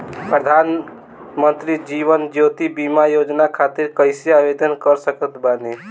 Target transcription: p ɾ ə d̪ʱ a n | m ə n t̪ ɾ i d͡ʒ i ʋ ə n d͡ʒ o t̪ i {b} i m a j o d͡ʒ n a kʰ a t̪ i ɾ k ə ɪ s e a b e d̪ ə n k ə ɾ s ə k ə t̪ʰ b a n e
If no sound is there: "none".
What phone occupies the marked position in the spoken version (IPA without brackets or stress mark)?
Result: b